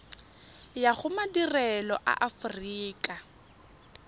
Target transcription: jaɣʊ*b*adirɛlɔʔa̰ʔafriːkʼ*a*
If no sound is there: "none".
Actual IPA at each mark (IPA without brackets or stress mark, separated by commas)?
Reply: m, a